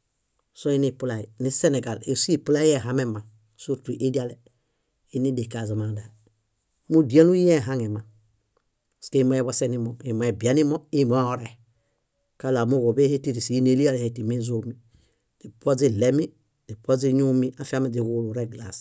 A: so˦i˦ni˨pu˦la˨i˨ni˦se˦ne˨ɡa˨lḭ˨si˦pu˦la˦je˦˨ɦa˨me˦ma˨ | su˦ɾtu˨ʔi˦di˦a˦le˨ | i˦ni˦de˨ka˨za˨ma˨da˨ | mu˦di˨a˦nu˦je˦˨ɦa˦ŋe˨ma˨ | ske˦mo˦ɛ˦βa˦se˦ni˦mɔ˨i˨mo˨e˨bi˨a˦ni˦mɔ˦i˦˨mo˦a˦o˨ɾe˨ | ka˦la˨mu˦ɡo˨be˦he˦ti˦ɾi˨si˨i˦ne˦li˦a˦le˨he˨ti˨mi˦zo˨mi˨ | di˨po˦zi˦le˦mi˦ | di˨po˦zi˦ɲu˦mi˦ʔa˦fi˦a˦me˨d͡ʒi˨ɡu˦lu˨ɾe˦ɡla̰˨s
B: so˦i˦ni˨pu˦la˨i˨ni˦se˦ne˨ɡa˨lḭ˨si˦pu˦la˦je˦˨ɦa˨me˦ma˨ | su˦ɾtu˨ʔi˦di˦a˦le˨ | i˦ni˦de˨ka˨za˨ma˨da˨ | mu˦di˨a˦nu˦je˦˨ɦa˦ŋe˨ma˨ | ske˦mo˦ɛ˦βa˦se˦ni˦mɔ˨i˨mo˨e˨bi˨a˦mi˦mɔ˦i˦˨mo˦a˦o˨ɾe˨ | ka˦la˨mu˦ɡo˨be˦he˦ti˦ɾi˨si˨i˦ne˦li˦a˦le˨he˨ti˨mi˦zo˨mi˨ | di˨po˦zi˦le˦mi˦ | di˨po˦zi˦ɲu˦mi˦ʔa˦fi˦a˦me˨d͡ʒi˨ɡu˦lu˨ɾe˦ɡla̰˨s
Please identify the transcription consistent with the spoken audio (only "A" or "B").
A